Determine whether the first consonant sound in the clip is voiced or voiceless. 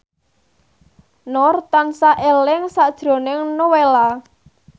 voiced